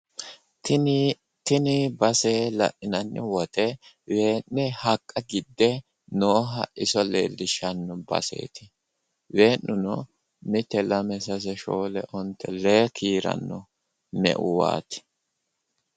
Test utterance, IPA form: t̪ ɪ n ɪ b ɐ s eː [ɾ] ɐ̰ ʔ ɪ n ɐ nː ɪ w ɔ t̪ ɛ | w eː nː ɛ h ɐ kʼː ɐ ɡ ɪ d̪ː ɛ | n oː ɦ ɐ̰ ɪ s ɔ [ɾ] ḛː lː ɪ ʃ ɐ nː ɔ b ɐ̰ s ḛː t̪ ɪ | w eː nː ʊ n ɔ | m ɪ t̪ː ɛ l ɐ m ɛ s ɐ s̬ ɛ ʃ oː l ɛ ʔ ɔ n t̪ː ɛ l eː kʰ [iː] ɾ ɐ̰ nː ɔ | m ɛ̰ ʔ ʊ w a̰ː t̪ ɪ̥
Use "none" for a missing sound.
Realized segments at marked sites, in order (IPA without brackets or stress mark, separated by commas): l, l, iː